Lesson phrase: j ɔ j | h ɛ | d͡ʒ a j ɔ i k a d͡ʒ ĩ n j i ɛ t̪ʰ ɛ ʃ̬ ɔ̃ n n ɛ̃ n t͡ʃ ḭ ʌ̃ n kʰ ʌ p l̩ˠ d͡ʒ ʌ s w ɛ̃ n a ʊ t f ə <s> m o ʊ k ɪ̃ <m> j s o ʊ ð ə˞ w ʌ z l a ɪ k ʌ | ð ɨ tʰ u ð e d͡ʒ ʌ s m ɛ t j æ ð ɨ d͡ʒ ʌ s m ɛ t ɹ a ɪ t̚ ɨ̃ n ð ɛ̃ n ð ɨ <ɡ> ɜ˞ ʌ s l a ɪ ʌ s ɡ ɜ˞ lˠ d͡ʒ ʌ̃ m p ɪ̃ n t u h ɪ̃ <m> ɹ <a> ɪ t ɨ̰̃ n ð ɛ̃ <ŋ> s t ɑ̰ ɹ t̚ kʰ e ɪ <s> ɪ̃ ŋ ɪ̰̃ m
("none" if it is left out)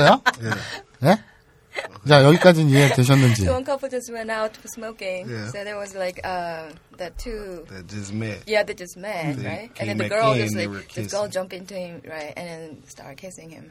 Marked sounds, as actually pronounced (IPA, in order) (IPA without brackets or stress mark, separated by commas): s, ŋ, ɡ, m, a, n, s